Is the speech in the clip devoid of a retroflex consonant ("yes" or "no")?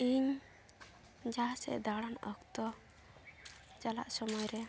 no